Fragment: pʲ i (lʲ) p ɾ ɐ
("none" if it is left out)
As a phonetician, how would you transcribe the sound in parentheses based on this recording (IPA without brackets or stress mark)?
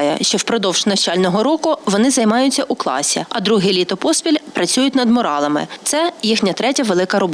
lʲ